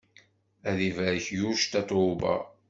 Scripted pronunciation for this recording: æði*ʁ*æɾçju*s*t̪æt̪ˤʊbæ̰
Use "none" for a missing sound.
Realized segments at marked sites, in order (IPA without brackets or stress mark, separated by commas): v, ʃ